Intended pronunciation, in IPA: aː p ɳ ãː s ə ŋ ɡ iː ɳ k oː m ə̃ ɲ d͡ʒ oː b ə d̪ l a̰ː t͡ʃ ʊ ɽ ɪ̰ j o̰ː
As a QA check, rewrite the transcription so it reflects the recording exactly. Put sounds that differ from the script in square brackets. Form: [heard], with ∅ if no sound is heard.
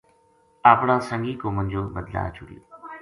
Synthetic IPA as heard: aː p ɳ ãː s ə ŋ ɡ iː [∅] k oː m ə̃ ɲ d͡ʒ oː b ə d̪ l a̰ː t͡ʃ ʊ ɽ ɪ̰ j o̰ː